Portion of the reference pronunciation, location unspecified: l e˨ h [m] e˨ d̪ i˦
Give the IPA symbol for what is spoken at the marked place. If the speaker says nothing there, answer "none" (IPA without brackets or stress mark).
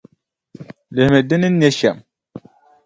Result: m